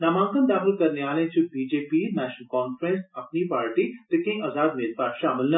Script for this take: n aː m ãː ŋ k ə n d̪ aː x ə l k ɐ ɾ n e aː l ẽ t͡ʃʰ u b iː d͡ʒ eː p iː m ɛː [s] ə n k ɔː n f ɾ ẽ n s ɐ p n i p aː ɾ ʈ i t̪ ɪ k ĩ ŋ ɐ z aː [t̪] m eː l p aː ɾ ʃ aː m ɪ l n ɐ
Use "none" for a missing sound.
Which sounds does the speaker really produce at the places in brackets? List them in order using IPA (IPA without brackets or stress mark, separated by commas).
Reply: ʃ, d̪